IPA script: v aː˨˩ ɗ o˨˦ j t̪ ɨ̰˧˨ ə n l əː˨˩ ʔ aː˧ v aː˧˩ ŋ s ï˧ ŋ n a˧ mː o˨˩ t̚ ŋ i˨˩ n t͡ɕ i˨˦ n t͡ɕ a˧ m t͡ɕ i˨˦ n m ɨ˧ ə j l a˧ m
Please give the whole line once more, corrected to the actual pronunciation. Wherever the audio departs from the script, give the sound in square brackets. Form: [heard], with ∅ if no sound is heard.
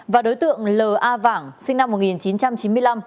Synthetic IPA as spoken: v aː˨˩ ɗ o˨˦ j t̪ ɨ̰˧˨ ə [ŋ] l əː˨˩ ʔ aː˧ v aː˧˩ ŋ s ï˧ ŋ n a˧ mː o˨˩ t̚ ŋ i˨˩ n t͡ɕ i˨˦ n t͡ɕ a˧ m t͡ɕ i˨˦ n m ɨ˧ ə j l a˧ m